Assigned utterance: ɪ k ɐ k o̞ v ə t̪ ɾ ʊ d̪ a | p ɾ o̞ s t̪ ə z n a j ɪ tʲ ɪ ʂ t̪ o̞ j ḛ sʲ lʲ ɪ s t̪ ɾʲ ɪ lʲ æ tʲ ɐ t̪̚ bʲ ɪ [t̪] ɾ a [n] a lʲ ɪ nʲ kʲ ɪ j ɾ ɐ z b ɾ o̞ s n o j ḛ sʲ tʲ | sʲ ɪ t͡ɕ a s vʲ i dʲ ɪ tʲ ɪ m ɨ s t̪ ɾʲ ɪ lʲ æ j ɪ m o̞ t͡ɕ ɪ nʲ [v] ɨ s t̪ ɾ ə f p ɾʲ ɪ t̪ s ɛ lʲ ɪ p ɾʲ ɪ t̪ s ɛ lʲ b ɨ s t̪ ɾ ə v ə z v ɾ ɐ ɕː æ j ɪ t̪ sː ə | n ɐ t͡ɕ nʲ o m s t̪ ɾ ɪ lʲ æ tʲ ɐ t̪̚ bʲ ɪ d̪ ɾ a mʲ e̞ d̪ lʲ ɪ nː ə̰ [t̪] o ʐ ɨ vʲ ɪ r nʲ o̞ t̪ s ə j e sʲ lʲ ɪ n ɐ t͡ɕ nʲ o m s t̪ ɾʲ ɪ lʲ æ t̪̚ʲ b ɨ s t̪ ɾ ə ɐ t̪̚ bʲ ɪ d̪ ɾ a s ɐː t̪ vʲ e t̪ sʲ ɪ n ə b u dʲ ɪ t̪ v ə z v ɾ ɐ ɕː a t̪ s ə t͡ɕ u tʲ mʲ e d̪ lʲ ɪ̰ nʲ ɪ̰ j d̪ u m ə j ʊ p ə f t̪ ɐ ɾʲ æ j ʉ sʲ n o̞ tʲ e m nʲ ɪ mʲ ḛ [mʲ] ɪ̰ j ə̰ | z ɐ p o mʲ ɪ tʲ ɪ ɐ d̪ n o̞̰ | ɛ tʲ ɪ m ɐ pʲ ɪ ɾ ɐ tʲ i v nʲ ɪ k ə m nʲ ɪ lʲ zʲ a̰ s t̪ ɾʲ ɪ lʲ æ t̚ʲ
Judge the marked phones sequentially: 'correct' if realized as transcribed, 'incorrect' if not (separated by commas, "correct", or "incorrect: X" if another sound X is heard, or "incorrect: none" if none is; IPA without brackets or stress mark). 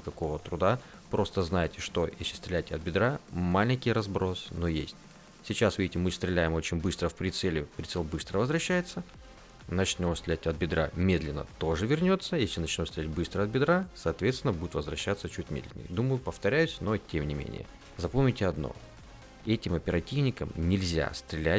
incorrect: d̪, incorrect: m, incorrect: b, correct, incorrect: nʲ